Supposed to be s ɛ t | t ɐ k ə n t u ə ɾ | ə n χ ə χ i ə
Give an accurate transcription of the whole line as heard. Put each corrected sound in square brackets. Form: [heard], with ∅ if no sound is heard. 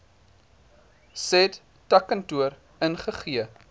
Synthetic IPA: s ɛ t | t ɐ k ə n t u ə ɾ | ə n χ ə χ i ə